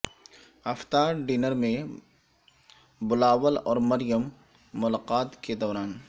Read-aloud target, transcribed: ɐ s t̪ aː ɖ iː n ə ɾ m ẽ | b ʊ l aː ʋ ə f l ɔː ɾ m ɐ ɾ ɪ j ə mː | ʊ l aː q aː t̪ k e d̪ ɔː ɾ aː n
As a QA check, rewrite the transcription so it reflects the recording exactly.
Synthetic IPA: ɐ f t̪ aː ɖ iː n ə ɾ m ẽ | b ʊ l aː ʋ ə l ɔː ɾ m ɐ ɾ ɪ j ə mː | ʊ l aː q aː t̪ k e d̪ ɔː ɾ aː n